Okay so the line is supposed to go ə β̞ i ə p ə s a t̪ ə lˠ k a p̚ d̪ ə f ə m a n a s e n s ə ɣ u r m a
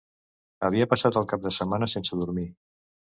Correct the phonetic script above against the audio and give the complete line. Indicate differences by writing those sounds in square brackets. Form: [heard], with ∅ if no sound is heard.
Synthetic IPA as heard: ə β̞ i ə p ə s a t̪ ə lˠ k a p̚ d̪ ə [s] ə m a n [ə] s e n s ə [ð] u [ɾ] m [i]